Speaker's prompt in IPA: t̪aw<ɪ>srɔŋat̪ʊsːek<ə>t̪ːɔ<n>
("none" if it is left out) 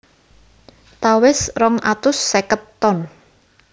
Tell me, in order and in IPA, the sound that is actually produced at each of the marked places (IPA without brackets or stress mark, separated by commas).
ɪ, ə, n